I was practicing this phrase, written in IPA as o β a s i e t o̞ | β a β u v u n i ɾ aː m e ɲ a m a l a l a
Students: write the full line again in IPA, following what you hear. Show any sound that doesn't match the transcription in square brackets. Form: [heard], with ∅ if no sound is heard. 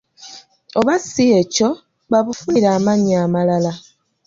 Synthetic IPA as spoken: o β a s i e [c] o̞ | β a β u [f] u n i ɾ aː m [a] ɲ a m a l a l a